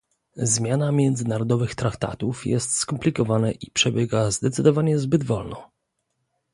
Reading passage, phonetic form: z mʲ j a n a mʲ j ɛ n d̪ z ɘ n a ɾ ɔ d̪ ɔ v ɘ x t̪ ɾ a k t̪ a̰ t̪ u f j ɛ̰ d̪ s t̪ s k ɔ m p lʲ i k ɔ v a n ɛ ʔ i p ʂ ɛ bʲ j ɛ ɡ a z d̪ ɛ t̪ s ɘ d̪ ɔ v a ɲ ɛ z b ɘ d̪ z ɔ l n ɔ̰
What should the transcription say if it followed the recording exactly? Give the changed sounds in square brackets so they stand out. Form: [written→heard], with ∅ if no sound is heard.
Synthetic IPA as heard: z mʲ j a n a mʲ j ɛ n d̪ z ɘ n a ɾ ɔ d̪ ɔ v ɘ x t̪ ɾ a k t̪ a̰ t̪ u f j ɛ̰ [d̪→∅] s t̪ s k ɔ m p lʲ i k ɔ v a n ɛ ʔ i p ʂ ɛ bʲ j ɛ ɡ a z d̪ ɛ t̪ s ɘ d̪ ɔ v a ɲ ɛ z b ɘ d̪ [z→v] ɔ l n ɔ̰